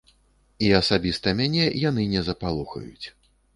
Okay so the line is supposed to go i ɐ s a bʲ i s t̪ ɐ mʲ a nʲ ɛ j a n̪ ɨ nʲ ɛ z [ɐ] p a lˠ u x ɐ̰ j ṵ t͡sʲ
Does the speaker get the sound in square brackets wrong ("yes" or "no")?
no